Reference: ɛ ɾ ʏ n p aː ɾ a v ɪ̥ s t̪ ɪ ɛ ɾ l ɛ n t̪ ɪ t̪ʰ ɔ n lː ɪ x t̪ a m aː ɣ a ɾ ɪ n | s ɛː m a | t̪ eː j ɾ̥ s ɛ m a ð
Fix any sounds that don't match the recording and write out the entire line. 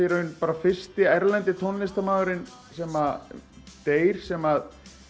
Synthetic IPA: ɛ ɾ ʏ n p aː ɾ a f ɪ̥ s t̪ ɪ ɛ ɾ l ɛ n t̪ ɪ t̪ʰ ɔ n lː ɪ s t̪ a m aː ɣ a ɾ ɪ n | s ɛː m a | t̪ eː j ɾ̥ s ɛ m a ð